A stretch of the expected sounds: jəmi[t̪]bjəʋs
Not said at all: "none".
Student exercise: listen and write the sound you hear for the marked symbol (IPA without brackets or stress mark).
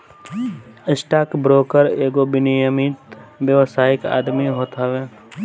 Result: t̪